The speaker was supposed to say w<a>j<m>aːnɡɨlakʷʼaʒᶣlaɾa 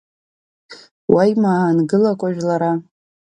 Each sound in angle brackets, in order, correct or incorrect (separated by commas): correct, correct